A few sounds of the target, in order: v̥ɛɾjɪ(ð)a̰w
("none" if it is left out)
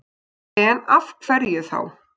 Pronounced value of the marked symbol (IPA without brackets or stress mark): θ